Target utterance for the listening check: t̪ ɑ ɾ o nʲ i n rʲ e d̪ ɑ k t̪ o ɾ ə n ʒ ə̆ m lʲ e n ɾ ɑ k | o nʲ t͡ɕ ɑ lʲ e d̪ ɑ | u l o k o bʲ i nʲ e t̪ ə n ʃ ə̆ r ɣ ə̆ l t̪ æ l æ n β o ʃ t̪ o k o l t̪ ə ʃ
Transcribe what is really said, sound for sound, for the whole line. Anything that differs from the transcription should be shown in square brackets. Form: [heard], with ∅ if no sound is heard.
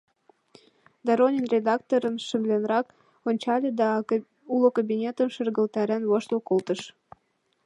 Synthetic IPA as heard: [d̪] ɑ ɾ o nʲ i n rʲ e d̪ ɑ k t̪ o ɾ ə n [ʃ] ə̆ m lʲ e n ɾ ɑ k | o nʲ t͡ɕ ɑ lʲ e d̪ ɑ | u l o k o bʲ i nʲ e t̪ ə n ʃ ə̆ r ɣ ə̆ l t̪ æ [ɾ] æ n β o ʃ t̪ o k o l t̪ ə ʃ